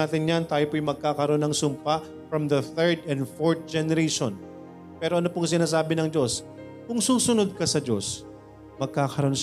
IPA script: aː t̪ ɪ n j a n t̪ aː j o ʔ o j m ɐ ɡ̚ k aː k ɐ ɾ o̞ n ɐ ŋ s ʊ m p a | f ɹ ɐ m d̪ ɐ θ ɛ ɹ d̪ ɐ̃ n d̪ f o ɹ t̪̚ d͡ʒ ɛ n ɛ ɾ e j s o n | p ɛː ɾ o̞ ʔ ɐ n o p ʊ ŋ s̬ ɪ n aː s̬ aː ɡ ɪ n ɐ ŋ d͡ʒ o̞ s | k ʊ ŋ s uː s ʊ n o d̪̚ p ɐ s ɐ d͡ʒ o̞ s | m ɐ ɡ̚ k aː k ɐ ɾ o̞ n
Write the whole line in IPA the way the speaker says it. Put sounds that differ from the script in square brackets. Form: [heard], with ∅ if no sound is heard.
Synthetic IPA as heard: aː t̪ ɪ n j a n t̪ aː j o [p] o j m ɐ ɡ̚ k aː k ɐ ɾ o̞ n ɐ ŋ s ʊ m p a | f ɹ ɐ m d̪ ɐ θ ɛ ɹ d̪ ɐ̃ n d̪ f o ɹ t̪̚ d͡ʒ ɛ n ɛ ɾ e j [ʃ] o n | p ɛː ɾ o̞ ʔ ɐ n o p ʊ ŋ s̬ ɪ n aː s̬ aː [b] ɪ n ɐ ŋ d͡ʒ o̞ s | k ʊ ŋ s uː s ʊ n o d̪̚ [k] ɐ s ɐ d͡ʒ o̞ s | m ɐ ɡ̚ k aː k ɐ ɾ o̞ n